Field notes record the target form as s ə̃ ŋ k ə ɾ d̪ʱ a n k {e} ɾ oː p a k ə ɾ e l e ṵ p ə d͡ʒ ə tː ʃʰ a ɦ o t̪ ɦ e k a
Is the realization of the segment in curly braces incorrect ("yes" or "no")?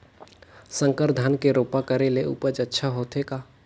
no